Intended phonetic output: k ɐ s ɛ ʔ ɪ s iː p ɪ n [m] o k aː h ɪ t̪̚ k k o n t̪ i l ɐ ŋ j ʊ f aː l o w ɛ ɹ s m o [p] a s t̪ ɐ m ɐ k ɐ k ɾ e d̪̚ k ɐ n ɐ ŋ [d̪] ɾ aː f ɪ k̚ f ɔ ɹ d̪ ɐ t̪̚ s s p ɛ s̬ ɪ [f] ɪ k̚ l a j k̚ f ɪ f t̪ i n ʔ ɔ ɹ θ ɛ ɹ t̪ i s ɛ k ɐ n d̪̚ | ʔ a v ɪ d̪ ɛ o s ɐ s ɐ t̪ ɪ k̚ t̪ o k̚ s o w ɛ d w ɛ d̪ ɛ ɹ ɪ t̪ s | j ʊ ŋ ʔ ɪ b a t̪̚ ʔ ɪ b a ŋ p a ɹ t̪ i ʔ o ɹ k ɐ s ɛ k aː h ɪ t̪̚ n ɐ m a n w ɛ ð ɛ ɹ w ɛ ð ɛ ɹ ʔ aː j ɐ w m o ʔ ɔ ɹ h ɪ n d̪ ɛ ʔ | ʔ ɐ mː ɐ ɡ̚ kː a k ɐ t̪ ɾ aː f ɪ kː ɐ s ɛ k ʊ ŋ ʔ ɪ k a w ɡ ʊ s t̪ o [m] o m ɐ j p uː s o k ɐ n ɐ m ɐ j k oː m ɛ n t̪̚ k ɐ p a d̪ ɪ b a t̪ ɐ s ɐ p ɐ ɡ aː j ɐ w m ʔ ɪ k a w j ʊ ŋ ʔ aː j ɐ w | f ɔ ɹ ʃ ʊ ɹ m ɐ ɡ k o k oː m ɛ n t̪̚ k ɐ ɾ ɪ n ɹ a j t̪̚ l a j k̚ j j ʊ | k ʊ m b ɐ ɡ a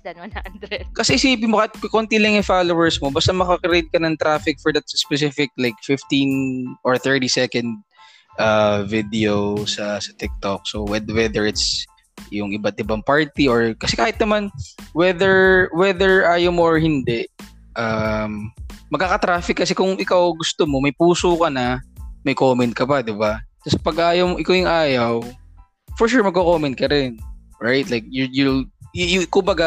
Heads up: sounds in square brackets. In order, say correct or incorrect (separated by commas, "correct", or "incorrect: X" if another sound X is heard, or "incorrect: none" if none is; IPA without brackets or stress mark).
correct, incorrect: b, incorrect: t̪, correct, correct